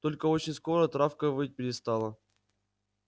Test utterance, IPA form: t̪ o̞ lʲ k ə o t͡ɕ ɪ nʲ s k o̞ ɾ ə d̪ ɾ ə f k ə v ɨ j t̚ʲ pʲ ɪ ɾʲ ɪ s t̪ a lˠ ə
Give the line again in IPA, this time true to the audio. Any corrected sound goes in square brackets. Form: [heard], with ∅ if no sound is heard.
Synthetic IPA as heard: t̪ o̞ lʲ k ə o t͡ɕ ɪ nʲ s k o̞ ɾ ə [t̪] ɾ [a] f k ə v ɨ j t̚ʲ pʲ ɪ ɾʲ ɪ s t̪ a lˠ ə